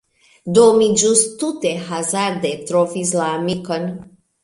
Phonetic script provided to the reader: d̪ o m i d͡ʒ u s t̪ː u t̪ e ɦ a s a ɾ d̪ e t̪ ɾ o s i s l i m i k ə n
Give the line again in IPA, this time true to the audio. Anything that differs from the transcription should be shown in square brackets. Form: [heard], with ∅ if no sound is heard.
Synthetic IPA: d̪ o m i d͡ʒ u s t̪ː u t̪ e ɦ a [z] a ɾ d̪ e t̪ ɾ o [f] i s l [a] m i k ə n